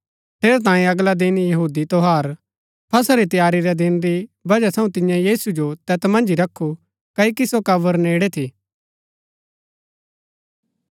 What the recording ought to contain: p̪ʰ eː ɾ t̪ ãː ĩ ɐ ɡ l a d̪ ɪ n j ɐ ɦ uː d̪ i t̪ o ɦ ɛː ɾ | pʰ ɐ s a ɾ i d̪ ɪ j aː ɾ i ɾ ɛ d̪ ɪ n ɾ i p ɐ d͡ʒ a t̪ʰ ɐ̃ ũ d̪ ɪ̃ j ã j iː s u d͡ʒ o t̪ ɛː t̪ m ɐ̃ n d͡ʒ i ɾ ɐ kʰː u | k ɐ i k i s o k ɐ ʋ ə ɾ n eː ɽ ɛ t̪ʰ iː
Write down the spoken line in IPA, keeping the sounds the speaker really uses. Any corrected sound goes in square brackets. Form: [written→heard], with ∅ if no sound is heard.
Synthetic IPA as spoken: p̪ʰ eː ɾ t̪ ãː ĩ ɐ ɡ l a d̪ ɪ n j ɐ ɦ uː d̪ i t̪ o ɦ [ɛː→aː] ɾ | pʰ ɐ s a ɾ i [d̪→t̪] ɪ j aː ɾ i ɾ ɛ d̪ ɪ n ɾ i [p→b] ɐ d͡ʒ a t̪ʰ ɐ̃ ũ [d̪→t̪] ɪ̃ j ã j iː s u d͡ʒ o t̪ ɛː t̪ m ɐ̃ n d͡ʒ i ɾ ɐ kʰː u | k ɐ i k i s o k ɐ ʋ ə ɾ n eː ɽ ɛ t̪ʰ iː

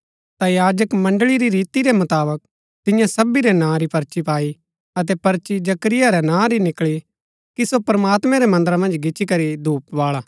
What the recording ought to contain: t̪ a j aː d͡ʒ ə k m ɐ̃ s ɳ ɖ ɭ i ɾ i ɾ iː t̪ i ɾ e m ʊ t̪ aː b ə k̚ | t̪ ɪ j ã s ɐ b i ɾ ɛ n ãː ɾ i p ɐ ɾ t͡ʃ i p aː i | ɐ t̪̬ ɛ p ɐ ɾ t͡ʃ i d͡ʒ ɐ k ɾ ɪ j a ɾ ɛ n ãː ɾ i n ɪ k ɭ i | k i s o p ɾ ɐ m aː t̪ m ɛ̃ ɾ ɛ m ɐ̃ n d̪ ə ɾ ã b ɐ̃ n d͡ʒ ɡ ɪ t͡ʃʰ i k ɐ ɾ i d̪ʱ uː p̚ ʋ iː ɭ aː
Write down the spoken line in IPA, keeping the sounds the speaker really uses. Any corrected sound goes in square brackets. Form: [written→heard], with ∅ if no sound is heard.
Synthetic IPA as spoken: t̪ a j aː d͡ʒ ə k m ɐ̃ [s→∅] ɳ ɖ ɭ i ɾ i ɾ iː t̪ i ɾ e m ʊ t̪ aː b ə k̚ | t̪ ɪ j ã s ɐ b i ɾ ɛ n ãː ɾ i p ɐ ɾ t͡ʃ i p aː i | ɐ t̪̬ ɛ p ɐ ɾ t͡ʃ i d͡ʒ ɐ k ɾ ɪ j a ɾ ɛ n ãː ɾ i n ɪ k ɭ i | k i s o p ɾ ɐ m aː t̪ m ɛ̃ ɾ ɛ m ɐ̃ n d̪ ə ɾ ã [b→m] ɐ̃ n d͡ʒ ɡ ɪ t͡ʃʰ i k ɐ ɾ i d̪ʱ uː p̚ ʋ [iː→aː] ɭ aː

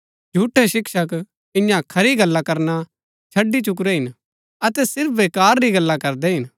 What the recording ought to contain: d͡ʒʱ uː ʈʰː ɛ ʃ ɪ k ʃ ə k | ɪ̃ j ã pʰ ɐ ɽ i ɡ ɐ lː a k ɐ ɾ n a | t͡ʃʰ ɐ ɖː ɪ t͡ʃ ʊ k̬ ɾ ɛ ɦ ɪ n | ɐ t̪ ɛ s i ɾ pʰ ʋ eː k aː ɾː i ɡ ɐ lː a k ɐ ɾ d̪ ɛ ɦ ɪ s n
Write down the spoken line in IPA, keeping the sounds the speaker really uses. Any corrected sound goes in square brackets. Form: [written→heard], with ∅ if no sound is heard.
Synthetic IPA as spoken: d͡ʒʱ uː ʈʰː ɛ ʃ ɪ k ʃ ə k | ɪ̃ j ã [pʰ→kʰ] ɐ [ɽ→ɾ] i ɡ ɐ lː a k ɐ ɾ n a | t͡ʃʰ ɐ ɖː [ɪ→i] t͡ʃ ʊ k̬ ɾ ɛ ɦ ɪ n | ɐ t̪ ɛ s [i→ɪ] ɾ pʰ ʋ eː k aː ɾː i ɡ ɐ lː a k ɐ ɾ d̪ ɛ ɦ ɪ [s→∅] n

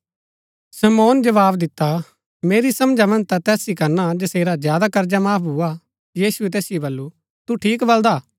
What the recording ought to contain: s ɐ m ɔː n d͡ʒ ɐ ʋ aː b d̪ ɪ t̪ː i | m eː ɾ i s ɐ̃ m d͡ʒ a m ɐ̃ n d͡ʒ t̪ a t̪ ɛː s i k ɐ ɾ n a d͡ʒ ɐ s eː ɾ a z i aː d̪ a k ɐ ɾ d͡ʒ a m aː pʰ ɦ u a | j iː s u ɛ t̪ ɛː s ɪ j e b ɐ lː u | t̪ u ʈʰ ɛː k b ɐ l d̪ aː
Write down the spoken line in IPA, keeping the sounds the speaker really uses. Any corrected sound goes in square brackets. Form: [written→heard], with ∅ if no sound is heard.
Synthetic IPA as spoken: s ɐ m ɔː n d͡ʒ ɐ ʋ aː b d̪ ɪ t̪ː [i→a] | m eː ɾ i s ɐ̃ m d͡ʒ a m ɐ̃ n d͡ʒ t̪ a t̪ ɛː s i k ɐ ɾ n a d͡ʒ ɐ s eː ɾ a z [i→j] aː d̪ a k ɐ ɾ d͡ʒ a m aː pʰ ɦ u a | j iː s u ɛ t̪ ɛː s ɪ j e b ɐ lː u | t̪ u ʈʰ [ɛː→iː] k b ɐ l d̪ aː

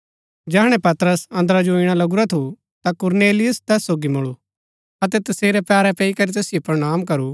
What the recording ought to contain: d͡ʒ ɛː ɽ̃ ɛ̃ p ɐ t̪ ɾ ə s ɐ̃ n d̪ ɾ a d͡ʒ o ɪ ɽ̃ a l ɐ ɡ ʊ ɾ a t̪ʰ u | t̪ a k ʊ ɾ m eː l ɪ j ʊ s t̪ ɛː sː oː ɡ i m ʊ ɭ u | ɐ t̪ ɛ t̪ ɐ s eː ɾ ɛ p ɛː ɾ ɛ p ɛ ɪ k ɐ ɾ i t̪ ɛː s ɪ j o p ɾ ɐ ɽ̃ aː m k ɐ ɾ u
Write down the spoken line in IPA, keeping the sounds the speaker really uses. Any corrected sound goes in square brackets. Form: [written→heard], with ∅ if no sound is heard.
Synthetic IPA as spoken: d͡ʒ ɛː ɽ̃ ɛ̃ p ɐ t̪ ɾ ə s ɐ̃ n d̪ ɾ a d͡ʒ o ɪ ɽ̃ a l ɐ ɡ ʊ ɾ a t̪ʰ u | t̪ a k ʊ ɾ [m→n] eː l ɪ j ʊ s t̪ ɛː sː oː ɡ i m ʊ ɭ u | ɐ t̪ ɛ t̪ ɐ s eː ɾ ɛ p ɛː ɾ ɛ p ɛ [ɪ→i] k ɐ ɾ i t̪ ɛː s ɪ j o p ɾ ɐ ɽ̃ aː m k ɐ ɾ u

